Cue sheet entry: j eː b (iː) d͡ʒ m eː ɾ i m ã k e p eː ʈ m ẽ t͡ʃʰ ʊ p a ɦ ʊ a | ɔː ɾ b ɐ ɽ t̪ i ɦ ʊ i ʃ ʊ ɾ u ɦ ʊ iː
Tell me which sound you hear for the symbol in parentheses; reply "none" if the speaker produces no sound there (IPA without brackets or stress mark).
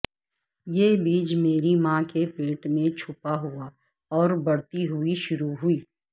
iː